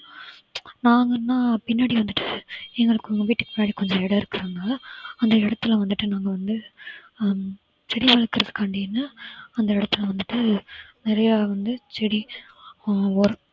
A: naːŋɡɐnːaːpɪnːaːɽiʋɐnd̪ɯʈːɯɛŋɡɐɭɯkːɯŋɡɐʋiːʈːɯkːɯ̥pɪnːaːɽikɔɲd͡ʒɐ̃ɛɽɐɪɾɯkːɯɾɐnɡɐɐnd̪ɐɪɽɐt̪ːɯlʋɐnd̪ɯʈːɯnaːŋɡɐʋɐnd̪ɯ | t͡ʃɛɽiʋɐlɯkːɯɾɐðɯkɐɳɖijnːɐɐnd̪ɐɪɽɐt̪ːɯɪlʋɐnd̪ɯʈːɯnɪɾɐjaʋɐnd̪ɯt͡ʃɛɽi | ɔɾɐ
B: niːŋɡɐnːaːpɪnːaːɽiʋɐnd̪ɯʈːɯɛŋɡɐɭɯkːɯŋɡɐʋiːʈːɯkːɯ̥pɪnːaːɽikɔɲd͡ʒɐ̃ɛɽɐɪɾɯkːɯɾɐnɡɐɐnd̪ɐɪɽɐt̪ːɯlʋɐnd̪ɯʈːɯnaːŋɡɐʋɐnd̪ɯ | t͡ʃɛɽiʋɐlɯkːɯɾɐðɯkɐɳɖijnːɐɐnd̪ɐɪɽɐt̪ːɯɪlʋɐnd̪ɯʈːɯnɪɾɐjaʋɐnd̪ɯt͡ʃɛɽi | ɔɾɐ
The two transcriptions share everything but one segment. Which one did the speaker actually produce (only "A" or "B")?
A